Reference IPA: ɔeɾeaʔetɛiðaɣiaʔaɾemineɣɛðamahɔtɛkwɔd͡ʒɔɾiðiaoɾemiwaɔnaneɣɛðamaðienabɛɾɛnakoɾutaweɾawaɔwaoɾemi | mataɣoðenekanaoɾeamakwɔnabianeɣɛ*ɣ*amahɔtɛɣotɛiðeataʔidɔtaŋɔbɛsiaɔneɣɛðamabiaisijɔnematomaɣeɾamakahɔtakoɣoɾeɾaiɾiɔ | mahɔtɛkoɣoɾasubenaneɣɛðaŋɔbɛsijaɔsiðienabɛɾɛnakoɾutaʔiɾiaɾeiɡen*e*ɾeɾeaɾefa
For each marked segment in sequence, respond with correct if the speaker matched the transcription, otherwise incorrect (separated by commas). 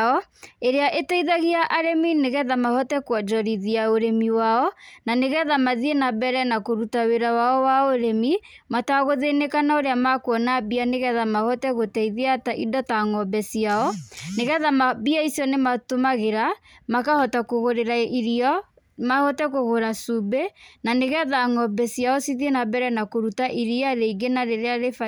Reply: incorrect, incorrect